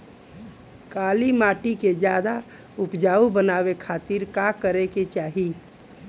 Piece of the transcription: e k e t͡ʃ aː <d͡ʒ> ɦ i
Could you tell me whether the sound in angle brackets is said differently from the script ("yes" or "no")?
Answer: yes